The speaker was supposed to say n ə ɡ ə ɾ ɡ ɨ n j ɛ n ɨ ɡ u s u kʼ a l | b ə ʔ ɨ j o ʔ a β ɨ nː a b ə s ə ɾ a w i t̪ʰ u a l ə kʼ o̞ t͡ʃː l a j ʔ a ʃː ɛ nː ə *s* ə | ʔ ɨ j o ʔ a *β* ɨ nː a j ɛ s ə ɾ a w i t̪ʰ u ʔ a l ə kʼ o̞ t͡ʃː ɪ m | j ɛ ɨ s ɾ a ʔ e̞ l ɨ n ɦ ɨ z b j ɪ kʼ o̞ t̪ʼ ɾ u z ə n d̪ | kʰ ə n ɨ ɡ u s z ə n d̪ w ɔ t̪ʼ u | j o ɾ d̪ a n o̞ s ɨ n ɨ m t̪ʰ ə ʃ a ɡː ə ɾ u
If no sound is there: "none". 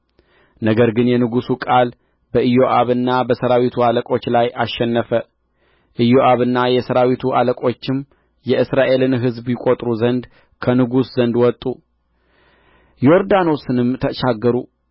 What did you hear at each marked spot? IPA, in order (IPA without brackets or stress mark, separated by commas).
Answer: f, β